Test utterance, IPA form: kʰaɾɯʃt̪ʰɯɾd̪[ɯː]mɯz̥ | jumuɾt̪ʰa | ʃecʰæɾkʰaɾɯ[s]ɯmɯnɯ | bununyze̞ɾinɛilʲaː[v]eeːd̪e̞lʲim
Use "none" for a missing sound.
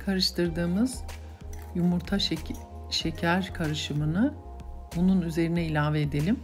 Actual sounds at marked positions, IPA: ɯː, ʃ, v

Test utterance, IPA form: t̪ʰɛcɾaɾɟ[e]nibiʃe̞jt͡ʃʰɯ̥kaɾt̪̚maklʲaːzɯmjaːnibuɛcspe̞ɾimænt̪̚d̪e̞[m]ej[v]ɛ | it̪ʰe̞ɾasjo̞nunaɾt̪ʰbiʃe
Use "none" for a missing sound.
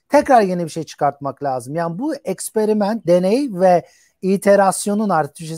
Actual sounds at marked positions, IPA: e, n, v

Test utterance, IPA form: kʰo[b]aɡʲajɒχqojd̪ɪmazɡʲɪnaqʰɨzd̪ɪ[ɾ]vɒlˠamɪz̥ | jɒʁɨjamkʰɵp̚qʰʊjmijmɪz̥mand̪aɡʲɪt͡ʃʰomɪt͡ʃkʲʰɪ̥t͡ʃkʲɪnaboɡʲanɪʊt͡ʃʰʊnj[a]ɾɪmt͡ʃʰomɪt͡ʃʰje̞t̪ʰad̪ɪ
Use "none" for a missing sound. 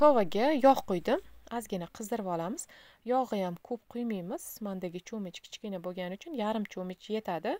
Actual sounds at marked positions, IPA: v, ɾ, a

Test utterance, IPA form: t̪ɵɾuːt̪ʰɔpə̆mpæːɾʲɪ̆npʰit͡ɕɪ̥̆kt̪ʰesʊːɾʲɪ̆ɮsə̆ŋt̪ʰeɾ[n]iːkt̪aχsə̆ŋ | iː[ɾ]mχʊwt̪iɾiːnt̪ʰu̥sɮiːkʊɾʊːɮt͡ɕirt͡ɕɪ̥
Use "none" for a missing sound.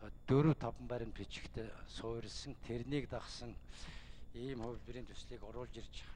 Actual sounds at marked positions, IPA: n, none

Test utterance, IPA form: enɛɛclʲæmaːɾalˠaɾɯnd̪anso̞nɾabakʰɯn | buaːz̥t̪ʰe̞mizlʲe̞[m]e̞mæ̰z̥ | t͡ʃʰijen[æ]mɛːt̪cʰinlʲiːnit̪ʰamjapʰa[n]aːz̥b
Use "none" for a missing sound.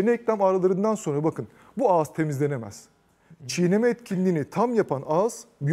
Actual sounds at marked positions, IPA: n, e, n

